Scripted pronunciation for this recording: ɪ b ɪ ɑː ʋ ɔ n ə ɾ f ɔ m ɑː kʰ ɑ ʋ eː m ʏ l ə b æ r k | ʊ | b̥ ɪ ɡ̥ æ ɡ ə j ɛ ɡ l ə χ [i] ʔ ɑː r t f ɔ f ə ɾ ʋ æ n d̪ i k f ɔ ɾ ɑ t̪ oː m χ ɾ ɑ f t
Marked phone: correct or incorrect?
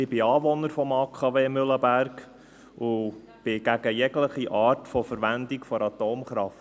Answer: correct